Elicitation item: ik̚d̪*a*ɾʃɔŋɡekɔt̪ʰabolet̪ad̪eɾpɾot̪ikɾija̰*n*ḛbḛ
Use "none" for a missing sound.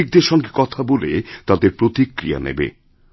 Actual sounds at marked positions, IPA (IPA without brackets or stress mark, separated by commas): e, n